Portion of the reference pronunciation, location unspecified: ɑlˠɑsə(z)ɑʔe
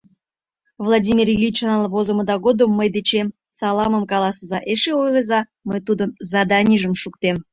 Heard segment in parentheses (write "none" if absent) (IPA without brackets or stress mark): z